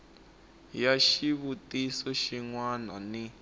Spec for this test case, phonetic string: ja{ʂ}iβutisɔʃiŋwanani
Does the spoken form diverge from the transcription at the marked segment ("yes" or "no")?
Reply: yes